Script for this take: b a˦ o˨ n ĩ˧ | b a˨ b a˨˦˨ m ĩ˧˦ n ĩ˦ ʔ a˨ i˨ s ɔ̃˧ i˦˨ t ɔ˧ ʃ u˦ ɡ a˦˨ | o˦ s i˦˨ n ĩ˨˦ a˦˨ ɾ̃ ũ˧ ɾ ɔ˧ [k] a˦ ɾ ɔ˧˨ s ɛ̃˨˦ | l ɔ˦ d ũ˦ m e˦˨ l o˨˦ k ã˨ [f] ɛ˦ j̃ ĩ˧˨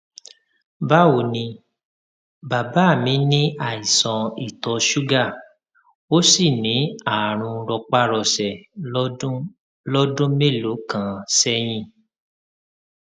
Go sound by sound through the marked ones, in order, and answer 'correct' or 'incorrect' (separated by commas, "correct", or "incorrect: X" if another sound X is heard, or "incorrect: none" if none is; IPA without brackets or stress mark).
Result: incorrect: k͡p, incorrect: s